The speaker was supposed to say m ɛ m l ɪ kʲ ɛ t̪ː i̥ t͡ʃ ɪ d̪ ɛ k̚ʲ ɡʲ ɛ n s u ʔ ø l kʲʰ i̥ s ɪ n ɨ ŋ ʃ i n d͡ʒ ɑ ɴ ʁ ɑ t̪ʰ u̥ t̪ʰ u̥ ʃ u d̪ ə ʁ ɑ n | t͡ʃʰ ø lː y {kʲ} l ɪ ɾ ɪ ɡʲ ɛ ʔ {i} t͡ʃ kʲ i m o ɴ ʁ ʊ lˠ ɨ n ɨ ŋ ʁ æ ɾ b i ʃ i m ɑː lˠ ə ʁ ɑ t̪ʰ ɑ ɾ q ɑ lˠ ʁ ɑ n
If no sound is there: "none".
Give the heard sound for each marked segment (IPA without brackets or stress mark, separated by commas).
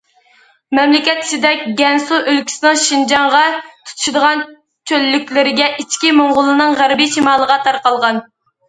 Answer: kʲ, i